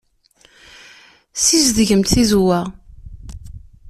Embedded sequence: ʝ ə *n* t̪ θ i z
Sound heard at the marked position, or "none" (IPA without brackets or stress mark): m